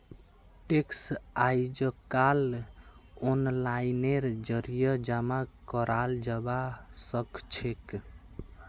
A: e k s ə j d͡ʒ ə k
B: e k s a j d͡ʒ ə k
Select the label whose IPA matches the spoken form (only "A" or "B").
B